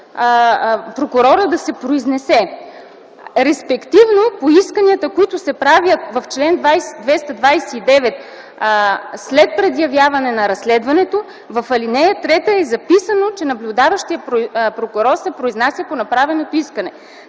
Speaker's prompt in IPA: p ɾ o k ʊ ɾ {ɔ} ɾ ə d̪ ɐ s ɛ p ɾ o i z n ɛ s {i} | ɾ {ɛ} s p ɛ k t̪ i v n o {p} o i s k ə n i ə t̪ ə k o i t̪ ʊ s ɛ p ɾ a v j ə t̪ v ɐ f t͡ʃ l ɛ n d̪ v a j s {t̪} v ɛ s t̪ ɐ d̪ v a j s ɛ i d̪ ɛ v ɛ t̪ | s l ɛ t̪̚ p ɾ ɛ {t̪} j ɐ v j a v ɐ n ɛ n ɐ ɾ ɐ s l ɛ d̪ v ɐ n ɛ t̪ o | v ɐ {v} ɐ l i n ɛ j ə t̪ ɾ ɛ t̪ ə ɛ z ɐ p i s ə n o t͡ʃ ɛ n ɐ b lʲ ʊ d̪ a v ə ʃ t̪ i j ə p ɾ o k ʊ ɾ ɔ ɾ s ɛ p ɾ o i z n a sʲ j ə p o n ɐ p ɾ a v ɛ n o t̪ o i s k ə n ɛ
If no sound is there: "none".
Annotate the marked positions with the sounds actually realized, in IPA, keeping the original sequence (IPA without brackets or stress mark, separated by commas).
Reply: ɔ, ɛ, ɛ, p, d̪, d̪, f